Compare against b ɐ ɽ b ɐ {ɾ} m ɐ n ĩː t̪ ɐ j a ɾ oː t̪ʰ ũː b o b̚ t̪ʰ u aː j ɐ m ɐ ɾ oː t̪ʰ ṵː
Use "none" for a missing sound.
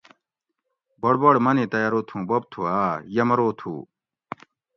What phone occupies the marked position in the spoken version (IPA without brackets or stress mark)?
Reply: ɽ